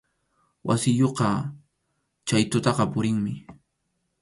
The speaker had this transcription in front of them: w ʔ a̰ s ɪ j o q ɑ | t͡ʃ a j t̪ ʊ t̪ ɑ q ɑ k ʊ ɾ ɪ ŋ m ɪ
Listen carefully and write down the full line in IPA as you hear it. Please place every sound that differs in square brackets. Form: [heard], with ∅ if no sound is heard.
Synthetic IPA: w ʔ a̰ s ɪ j o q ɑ | t͡ʃ a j t̪ ʊ t̪ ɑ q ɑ [p] ʊ ɾ ɪ ŋ m ɪ